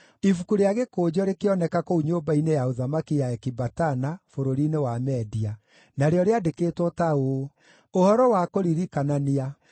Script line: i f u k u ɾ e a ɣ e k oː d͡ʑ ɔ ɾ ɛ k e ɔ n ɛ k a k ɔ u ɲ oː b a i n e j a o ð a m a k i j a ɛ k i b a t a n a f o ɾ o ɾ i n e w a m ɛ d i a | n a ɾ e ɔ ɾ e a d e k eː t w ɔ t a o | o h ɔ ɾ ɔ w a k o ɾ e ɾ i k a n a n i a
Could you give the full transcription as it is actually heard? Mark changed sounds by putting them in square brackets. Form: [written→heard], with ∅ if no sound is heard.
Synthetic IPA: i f u k u ɾ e a ɣ e k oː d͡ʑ ɔ ɾ [ɛ→e] k e ɔ n ɛ k a k [ɔ→o] u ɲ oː b a i n e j a o ð a m a k i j a ɛ k i b a t a n a f o ɾ o ɾ i n e w a m ɛ d i a | n a ɾ e ɔ ɾ e a d e k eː t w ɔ t a o | o h ɔ ɾ ɔ w a k o ɾ [e→i] ɾ i k a n a n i a